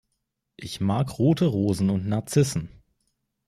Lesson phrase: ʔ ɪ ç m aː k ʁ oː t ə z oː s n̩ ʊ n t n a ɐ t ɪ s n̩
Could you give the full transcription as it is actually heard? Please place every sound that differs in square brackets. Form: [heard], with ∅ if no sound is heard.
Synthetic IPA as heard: ʔ ɪ ç m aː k ʁ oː t ə [ʁ] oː [z] n̩ ʊ n t n a ɐ [t͡s] ɪ s n̩